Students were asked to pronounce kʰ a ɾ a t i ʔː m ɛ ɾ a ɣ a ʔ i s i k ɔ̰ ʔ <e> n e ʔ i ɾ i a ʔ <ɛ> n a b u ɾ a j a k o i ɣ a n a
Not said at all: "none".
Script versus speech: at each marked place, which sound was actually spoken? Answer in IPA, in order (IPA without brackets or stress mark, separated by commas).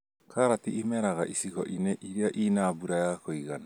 i, i